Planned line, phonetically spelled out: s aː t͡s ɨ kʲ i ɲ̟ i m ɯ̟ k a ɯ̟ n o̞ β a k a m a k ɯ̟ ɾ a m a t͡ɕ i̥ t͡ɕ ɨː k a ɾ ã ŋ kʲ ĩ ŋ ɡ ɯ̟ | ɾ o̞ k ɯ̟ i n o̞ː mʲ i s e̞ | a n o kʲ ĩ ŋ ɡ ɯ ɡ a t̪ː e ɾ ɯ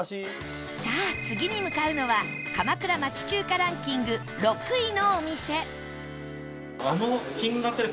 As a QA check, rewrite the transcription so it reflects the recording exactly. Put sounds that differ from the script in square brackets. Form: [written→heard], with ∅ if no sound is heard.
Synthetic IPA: s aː t͡s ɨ [kʲ→ɡʲ] i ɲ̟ i m ɯ̟ k a ɯ̟ n o̞ β a k a m a k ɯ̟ ɾ a m a t͡ɕ i̥ t͡ɕ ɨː k a ɾ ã ŋ kʲ ĩ ŋ ɡ ɯ̟ | ɾ o̞ k ɯ̟ i n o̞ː mʲ i s e̞ | a n o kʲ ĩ ŋ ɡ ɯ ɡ a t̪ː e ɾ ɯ